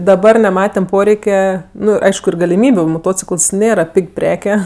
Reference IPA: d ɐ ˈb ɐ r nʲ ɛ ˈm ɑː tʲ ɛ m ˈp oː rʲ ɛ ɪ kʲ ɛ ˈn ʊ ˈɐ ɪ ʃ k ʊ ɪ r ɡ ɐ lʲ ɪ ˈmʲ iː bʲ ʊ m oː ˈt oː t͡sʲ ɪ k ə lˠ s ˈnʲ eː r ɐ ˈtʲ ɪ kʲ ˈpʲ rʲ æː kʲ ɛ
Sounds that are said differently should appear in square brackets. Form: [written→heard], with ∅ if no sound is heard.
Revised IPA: d ɐ ˈb ɐ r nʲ ɛ ˈm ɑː tʲ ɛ m ˈp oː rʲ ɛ ɪ kʲ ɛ ˈn ʊ ˈɐ ɪ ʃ k ʊ ɪ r ɡ ɐ lʲ ɪ ˈmʲ iː bʲ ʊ m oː ˈt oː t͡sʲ ɪ k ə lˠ s ˈnʲ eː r ɐ [ˈtʲ→ˈpʲ] ɪ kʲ ˈpʲ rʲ æː kʲ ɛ